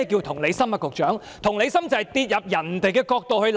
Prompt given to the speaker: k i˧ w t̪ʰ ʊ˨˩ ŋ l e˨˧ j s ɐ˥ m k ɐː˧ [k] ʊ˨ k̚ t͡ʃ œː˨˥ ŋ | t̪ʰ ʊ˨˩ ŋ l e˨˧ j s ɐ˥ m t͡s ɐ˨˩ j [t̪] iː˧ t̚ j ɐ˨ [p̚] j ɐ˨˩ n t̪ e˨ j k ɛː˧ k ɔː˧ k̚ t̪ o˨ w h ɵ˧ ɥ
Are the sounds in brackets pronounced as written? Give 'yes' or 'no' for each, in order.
yes, yes, yes

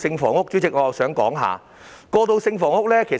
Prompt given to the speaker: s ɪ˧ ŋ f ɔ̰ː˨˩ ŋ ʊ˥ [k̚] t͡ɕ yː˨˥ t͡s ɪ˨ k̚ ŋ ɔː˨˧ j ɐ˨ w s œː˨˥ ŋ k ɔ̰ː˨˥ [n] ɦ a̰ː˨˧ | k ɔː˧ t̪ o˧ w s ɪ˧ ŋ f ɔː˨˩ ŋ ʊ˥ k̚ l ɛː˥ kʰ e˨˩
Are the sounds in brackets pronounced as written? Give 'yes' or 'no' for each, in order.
yes, no

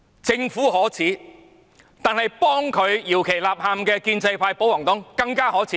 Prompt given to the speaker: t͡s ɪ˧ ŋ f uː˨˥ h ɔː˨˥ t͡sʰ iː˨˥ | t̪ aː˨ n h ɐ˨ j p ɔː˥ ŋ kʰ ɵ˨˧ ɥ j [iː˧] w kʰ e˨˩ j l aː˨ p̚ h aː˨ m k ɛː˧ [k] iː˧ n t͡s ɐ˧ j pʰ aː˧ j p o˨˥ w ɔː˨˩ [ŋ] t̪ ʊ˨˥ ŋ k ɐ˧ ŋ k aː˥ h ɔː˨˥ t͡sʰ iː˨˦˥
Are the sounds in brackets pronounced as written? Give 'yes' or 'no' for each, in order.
no, yes, yes

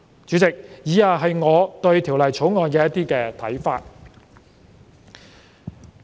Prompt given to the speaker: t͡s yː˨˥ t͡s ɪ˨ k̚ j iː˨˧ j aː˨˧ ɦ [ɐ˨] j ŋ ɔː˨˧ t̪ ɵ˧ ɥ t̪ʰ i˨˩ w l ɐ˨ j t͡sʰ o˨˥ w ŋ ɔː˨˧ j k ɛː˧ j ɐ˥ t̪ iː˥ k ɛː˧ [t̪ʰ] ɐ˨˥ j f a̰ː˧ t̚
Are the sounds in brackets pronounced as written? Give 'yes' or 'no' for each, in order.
yes, yes

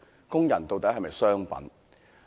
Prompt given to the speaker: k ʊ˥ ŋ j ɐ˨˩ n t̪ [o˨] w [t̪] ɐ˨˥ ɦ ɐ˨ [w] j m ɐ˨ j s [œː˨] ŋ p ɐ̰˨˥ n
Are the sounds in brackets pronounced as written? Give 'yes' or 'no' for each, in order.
yes, yes, no, no

